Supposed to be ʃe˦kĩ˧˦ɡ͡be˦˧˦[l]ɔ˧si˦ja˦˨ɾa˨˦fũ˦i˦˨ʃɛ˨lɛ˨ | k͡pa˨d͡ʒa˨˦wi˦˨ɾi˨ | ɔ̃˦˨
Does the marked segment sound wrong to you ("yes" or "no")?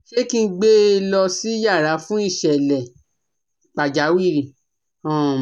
no